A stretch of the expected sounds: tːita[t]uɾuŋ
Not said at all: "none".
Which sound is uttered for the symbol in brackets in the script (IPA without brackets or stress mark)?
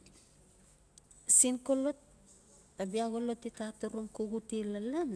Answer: t